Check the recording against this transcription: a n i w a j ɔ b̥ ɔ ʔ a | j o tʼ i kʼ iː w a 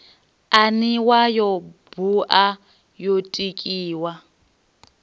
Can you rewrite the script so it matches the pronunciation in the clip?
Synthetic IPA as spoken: a n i w a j ɔ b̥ u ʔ a | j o tʼ i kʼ iː w a